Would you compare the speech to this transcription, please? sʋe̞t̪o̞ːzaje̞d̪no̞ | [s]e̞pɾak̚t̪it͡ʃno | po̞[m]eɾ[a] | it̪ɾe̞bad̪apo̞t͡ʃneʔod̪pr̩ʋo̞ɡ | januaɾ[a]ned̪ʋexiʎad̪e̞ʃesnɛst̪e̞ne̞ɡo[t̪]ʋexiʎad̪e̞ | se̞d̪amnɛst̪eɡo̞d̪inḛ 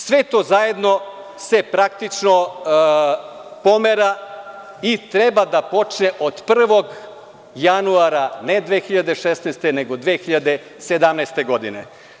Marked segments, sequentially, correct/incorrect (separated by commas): correct, correct, correct, correct, incorrect